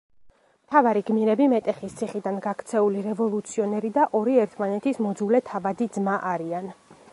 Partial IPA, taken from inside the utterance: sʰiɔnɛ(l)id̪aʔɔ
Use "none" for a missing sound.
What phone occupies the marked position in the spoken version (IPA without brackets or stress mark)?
ɾ